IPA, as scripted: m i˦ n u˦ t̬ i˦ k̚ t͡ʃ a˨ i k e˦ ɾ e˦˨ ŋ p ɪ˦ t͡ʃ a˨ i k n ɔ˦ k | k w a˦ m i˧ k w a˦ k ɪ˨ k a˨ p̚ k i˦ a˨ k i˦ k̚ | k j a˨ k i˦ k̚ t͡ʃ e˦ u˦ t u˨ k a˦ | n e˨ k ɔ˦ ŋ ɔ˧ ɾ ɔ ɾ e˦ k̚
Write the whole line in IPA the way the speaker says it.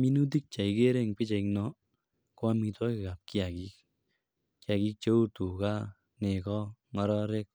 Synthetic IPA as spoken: m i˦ n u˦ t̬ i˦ k̚ t͡ʃ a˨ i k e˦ ɾ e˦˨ ŋ p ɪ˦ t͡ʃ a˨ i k n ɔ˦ | k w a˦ m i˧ t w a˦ k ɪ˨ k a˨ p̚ k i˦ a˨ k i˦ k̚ | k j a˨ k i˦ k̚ t͡ʃ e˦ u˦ t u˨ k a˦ | n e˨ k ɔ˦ ŋ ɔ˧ ɾ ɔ ɾ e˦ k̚